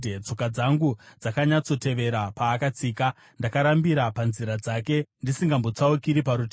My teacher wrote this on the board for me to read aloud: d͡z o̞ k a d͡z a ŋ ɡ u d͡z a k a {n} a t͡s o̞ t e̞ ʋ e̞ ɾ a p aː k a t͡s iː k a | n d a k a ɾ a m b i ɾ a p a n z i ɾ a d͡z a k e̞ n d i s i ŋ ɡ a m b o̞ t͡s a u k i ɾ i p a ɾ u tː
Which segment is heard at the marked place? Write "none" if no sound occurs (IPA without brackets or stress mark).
ɲ